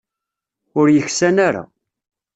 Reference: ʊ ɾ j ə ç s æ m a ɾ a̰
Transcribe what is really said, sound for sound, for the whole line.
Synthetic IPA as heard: ʊ ɾ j ə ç s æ n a ɾ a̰